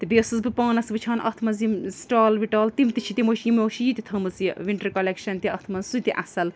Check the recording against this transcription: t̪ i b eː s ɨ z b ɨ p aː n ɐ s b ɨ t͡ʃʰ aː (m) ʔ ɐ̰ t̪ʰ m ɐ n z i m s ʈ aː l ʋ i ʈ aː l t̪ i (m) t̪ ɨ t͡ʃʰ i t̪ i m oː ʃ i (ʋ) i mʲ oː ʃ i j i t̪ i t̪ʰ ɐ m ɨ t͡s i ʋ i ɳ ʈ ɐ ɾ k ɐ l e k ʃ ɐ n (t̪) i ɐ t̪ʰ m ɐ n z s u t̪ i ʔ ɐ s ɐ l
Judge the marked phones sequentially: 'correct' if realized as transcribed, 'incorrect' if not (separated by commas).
incorrect, correct, incorrect, correct